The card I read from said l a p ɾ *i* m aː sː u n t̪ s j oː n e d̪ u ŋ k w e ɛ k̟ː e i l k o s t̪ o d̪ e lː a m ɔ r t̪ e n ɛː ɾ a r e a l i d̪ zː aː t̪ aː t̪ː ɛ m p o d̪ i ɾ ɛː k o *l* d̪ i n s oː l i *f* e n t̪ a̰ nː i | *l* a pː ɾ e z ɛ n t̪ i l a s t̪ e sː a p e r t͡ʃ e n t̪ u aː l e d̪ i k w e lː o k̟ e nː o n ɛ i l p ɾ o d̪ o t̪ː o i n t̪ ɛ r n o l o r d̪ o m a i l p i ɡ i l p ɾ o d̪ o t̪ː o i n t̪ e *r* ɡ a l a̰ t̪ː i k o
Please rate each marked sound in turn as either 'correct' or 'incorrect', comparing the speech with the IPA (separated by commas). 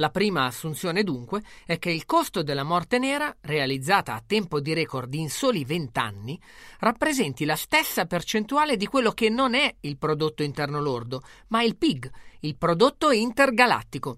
incorrect, incorrect, incorrect, incorrect, correct